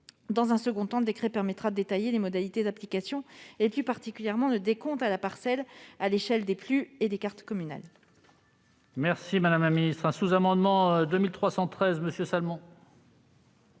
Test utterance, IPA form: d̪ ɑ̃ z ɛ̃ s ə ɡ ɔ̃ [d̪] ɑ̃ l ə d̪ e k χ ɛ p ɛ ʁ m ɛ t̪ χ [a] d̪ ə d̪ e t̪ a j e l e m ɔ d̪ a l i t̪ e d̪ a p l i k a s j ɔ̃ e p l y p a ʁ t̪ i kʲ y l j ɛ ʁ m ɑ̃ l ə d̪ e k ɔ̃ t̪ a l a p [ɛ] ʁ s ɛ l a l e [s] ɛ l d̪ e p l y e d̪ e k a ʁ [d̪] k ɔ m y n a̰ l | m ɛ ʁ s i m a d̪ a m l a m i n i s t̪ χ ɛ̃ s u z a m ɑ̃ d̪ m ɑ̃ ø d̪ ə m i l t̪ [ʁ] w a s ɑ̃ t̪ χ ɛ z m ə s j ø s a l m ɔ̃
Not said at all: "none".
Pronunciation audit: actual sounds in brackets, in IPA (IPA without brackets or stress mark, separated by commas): t̪, a, a, ʃ, t̪, χ